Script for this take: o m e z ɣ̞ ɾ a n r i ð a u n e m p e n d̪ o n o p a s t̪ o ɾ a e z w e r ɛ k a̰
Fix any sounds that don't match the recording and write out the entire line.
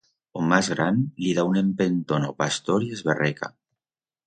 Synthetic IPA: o m a z ɣ̞ ɾ a n l i ð a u n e m p e n t̪ o n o p a s t̪ o ɾ i e z β e r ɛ k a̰